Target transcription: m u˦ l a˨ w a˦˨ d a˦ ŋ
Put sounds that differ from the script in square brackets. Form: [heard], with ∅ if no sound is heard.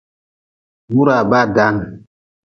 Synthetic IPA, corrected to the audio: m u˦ [ɾ] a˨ [b] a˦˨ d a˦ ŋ